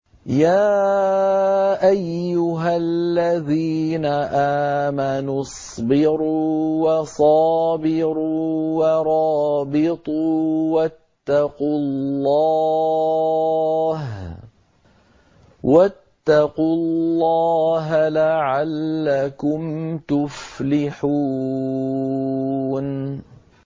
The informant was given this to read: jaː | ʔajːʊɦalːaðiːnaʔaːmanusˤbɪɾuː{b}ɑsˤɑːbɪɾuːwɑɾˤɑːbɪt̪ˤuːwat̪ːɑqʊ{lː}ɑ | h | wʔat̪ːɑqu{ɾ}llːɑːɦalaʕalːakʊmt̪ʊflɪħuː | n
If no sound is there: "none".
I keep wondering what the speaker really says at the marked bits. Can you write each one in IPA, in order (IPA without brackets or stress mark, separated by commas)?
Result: w, lː, l